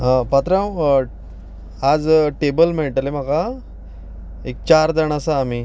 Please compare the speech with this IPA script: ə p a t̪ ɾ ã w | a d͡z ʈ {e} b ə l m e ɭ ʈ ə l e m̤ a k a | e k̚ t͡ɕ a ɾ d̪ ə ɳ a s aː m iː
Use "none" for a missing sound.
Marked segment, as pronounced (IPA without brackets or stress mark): e